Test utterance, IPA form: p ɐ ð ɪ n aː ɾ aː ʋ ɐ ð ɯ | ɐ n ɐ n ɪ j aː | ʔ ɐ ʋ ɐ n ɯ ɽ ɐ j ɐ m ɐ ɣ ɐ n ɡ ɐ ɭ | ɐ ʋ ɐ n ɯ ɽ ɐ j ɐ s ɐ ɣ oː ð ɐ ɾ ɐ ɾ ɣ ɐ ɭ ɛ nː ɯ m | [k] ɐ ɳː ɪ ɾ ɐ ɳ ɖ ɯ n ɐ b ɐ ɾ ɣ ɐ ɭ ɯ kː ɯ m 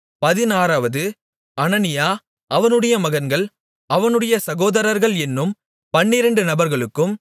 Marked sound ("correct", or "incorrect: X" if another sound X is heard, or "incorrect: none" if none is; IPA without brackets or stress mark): incorrect: p